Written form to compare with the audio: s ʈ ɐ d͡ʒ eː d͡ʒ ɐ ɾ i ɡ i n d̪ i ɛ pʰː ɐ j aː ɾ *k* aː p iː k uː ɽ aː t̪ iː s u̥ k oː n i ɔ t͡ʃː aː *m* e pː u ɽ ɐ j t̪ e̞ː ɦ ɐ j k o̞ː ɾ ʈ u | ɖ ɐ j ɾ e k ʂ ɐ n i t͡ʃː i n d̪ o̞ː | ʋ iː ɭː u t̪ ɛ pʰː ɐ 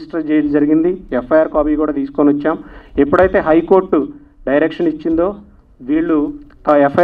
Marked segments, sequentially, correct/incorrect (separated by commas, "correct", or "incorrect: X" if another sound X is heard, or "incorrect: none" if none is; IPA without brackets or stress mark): correct, correct